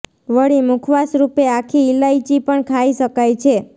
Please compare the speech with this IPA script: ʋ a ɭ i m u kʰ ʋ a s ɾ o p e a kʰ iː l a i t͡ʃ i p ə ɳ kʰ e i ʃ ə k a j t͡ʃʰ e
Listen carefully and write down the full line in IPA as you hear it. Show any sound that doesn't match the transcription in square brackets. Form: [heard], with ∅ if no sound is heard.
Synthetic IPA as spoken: ʋ [ə] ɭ i m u kʰ ʋ a s ɾ [u] p e a kʰ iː l a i t͡ʃ i p ə ɳ kʰ [a] i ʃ ə k a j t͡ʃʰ e